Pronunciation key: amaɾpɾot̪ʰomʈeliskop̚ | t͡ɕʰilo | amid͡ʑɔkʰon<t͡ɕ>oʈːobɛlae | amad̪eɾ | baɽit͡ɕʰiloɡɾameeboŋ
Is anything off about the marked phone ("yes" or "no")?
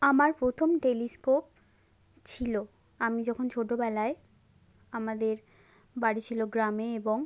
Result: yes